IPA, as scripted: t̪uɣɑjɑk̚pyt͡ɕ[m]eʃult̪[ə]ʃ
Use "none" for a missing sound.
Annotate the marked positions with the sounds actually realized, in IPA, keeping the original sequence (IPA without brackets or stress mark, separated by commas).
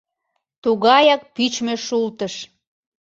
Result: m, ə